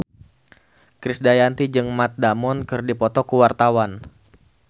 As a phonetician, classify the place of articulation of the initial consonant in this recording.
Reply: velar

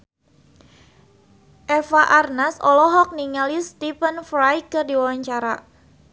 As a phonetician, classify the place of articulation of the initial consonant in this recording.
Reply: glottal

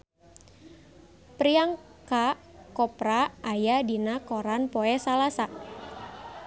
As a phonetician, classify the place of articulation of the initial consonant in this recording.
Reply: labial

